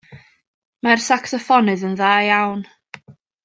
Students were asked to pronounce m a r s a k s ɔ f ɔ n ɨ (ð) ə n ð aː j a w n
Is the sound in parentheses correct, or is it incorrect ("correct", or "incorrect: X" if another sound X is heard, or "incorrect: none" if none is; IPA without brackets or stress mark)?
correct